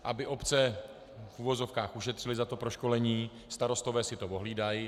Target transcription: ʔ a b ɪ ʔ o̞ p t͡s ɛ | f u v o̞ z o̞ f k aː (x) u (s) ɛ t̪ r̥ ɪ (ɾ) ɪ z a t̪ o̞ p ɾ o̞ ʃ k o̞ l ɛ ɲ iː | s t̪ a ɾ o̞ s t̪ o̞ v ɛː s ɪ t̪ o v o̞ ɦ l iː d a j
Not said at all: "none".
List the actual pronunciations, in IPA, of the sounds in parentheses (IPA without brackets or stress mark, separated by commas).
x, ʃ, l